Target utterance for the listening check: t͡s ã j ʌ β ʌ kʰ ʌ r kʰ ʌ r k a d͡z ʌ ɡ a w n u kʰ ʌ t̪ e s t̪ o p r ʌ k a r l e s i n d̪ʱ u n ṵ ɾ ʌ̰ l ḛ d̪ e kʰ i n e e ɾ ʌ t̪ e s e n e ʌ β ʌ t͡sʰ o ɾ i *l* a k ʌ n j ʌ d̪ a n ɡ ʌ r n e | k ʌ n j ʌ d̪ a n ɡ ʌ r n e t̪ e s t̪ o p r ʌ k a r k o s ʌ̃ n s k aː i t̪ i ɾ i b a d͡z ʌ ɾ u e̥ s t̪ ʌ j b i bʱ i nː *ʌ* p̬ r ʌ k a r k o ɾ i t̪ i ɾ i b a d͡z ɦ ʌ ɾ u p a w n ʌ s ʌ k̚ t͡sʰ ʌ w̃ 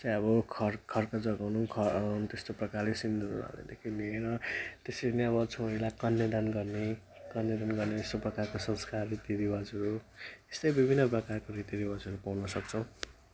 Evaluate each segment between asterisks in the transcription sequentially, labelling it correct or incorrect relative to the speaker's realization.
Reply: correct, correct

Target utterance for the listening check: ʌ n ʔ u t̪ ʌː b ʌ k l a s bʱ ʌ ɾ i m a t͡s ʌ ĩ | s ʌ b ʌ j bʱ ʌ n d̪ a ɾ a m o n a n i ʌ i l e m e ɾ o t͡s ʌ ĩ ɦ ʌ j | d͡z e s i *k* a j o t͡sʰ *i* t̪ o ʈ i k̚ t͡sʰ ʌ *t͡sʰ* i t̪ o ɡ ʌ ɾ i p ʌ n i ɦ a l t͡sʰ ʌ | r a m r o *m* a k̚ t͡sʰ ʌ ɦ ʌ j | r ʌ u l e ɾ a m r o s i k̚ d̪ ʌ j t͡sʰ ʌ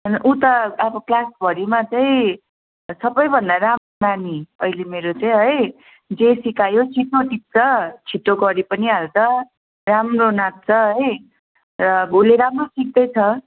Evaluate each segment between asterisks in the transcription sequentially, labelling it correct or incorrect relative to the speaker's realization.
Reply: correct, correct, correct, incorrect: n

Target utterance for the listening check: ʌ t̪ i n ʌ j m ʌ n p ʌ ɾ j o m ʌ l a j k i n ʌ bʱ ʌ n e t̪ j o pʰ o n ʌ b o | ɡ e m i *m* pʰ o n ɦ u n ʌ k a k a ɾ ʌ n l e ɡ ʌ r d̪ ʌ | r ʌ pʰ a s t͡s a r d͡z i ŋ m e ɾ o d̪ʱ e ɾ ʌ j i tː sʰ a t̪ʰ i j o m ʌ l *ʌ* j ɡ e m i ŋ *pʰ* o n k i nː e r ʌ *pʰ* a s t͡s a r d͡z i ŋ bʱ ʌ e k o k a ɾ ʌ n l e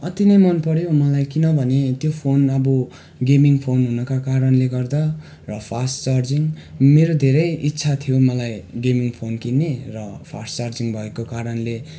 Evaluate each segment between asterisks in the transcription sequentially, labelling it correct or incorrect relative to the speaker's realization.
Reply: incorrect: ŋ, incorrect: a, correct, correct

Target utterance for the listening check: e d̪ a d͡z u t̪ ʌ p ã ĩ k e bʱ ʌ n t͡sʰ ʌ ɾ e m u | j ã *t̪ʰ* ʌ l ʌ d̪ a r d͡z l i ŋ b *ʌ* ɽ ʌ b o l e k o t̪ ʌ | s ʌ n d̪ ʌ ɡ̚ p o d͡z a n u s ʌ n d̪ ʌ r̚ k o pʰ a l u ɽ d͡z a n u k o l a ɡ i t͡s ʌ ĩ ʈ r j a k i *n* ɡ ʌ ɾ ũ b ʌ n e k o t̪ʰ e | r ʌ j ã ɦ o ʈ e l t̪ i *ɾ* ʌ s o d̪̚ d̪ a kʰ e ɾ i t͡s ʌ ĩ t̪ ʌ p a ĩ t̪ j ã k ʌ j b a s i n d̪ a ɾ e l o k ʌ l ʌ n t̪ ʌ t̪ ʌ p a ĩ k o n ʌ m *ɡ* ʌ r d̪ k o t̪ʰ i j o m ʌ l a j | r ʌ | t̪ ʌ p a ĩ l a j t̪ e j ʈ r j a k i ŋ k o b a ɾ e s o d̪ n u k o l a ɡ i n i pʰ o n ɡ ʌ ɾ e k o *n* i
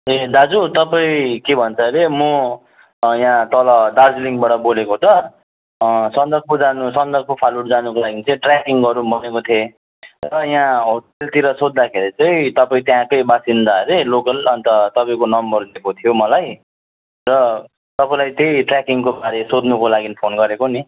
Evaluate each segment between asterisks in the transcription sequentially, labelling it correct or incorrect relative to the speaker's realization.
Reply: incorrect: t̪, incorrect: a, incorrect: ŋ, correct, incorrect: b, correct

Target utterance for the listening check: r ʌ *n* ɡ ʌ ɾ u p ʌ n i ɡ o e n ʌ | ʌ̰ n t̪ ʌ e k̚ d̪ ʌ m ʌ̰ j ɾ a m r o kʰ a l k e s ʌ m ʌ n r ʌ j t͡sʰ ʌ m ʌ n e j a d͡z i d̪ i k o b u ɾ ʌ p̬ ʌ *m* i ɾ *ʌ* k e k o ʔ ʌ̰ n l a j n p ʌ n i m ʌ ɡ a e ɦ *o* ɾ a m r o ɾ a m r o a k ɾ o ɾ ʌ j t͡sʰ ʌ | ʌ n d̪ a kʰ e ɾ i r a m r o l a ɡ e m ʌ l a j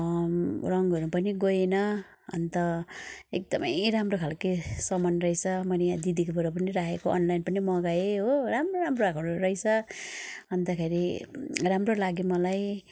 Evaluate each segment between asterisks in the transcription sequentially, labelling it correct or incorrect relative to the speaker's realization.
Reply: incorrect: ŋ, incorrect: n, incorrect: a, correct

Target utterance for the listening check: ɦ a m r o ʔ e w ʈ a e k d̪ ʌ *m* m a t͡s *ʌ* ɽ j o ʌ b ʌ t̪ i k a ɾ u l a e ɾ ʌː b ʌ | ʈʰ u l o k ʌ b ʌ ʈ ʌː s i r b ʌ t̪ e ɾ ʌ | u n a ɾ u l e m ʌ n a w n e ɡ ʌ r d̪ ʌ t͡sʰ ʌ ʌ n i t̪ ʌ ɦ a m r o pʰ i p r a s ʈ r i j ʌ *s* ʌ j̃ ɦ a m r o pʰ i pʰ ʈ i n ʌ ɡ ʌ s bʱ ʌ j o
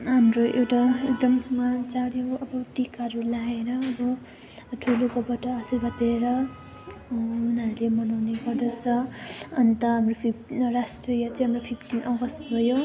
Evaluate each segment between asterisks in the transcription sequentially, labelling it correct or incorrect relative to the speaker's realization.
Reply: correct, incorrect: a, incorrect: t͡s

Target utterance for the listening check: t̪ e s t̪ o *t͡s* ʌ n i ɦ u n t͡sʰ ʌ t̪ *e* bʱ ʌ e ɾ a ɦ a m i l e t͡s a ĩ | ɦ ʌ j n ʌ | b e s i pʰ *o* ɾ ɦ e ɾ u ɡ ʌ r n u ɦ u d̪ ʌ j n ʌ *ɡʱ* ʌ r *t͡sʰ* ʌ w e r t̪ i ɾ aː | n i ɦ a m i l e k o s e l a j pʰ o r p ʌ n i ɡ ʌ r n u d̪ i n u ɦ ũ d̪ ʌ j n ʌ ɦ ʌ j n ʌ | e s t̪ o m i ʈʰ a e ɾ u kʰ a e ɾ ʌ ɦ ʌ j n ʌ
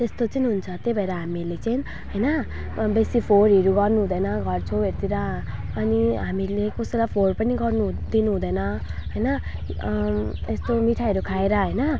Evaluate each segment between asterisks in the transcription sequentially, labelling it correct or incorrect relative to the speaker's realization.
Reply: correct, correct, correct, correct, correct

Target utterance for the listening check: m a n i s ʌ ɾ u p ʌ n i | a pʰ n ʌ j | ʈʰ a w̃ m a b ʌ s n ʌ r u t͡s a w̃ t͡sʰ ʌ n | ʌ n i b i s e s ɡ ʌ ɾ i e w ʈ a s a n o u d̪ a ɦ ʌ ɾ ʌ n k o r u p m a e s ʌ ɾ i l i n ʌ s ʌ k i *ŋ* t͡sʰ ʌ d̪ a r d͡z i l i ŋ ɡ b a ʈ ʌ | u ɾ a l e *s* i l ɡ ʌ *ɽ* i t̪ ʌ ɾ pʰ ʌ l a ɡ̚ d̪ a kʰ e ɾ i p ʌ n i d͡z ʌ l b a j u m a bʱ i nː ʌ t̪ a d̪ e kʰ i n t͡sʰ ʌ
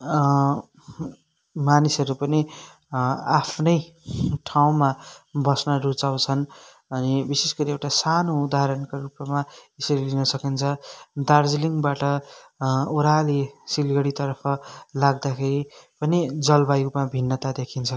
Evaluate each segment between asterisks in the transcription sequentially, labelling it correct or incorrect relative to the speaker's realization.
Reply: incorrect: n, correct, correct

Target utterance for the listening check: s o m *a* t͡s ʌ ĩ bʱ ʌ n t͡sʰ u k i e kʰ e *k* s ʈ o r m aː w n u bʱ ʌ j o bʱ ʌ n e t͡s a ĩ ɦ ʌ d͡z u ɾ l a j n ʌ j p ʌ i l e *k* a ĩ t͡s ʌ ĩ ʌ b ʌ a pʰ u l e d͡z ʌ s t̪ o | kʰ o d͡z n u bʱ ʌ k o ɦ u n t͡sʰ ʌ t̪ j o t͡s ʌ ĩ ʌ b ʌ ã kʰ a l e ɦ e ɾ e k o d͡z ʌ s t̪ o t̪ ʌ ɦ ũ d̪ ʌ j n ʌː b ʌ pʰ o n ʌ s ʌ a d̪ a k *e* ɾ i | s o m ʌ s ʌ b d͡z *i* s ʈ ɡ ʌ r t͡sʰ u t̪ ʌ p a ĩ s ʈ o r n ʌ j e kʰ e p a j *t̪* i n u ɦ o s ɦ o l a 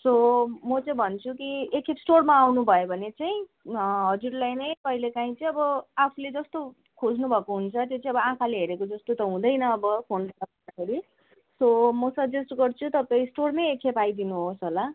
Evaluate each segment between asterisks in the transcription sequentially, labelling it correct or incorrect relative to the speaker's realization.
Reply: incorrect: ʌ, incorrect: p, correct, correct, incorrect: e, incorrect: d̪

